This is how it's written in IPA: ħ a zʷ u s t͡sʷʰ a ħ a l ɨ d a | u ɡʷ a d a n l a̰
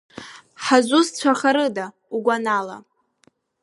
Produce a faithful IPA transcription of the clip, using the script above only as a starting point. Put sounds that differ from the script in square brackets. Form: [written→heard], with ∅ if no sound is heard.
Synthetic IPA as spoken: ħ a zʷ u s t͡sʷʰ a [ħ→χ] a [l→ɾ] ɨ d a | u ɡʷ a [d→n] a [n→∅] l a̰